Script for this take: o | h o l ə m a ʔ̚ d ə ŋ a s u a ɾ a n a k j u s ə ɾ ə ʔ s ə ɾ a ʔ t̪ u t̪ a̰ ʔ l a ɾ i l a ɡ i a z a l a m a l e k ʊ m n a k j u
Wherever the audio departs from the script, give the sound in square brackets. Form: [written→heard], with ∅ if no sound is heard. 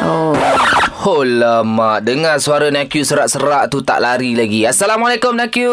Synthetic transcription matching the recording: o | h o l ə m a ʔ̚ d ə ŋ a s u a ɾ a n a k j u s ə ɾ [ə→a] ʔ s ə ɾ a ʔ t̪ u t̪ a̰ ʔ l a ɾ i l a ɡ i a [z→s] a l a m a l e k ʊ m n a k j u